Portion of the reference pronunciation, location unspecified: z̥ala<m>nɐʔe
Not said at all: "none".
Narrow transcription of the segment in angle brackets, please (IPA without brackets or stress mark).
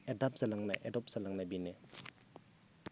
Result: ŋ